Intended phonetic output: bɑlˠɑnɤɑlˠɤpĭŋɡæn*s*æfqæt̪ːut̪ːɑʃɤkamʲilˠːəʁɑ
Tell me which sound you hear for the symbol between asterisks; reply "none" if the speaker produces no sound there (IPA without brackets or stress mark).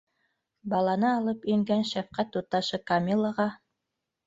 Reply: ʃ